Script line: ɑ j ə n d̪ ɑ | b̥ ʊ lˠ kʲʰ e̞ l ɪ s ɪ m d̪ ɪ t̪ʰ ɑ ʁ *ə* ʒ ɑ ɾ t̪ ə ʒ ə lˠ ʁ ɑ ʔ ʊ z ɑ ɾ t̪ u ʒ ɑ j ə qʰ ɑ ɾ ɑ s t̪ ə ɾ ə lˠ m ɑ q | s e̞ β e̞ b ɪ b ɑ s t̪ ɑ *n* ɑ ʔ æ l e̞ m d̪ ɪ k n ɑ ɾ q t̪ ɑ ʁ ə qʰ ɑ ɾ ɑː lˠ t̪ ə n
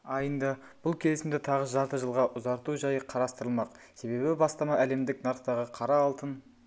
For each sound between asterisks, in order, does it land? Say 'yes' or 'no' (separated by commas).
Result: yes, no